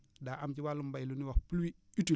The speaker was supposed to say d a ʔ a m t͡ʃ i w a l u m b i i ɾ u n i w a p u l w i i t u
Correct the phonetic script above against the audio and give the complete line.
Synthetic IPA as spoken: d a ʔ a m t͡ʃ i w a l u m b a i l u n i w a p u l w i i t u